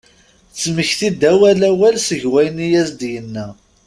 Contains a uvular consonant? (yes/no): no